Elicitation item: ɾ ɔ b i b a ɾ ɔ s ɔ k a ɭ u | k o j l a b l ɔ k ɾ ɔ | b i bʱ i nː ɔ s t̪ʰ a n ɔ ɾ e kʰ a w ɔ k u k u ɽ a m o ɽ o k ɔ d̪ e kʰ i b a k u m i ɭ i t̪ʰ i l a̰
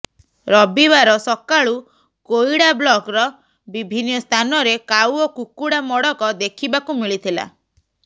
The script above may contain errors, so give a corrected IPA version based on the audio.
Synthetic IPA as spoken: ɾ ɔ b i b a ɾ ɔ s ɔ k a ɭ u | k o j ɽ a b l ɔ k ɾ ɔ | b i bʱ i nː ɔ s t̪ʰ a n ɔ ɾ e k a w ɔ k u k u ɽ a m ɔ ɽ ɔ k ɔ d̪ e kʰ i b a k u m i ɭ i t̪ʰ i l a̰